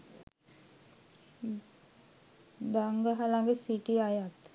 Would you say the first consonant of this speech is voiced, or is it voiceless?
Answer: voiced